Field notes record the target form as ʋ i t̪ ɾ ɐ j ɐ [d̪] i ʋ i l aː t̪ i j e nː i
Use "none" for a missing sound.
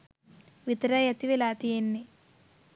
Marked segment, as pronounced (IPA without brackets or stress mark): t̪